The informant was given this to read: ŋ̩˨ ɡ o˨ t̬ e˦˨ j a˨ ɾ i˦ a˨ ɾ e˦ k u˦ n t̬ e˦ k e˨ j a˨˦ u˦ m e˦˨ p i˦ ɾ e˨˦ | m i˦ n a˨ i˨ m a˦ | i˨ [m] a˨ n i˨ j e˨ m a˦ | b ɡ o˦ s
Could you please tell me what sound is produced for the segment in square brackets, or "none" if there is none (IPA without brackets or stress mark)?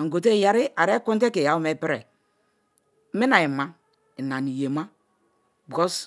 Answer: n